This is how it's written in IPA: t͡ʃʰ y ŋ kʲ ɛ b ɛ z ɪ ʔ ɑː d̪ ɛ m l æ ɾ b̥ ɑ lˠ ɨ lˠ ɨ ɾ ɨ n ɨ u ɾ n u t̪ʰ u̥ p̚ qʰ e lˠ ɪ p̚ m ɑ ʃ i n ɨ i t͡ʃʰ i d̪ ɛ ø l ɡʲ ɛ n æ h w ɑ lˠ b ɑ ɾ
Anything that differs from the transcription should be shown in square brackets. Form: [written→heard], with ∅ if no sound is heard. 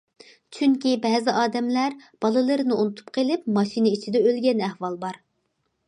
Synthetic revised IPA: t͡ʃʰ y ŋ kʲ [ɛ→i] b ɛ z ɪ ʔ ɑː d̪ ɛ m l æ ɾ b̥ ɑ lˠ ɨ lˠ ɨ ɾ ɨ n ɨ u [ɾ→∅] n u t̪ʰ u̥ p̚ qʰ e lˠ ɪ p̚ m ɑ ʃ i n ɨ i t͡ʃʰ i d̪ ɛ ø l ɡʲ ɛ n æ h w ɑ lˠ b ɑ ɾ